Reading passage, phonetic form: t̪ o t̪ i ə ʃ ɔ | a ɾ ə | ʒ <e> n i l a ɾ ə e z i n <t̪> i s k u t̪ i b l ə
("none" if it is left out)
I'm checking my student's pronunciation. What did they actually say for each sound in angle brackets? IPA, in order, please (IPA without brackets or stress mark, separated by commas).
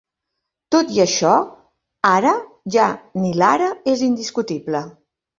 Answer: a, d̪